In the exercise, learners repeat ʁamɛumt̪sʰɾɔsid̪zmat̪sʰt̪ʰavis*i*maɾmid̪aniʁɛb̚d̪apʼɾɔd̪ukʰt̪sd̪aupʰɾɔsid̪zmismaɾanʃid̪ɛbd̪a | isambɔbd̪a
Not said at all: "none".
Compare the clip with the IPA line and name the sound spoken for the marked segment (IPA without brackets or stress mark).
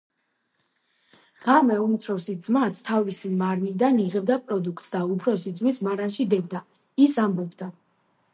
i